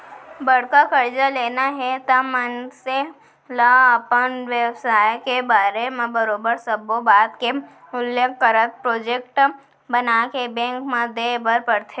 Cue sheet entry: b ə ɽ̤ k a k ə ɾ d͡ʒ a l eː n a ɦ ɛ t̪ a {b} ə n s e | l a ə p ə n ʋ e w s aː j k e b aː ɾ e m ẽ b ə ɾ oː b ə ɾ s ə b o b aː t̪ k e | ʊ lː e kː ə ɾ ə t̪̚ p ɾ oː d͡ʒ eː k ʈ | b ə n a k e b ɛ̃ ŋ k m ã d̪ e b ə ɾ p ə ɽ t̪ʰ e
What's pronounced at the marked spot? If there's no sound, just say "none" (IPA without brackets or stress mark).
m